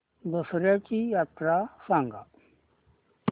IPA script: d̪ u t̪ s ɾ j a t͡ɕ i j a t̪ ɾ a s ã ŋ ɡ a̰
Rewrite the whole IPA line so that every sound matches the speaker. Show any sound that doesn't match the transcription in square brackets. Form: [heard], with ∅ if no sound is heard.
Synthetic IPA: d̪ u [∅] s ɾ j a t͡ɕ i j a t̪ ɾ a s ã ŋ ɡ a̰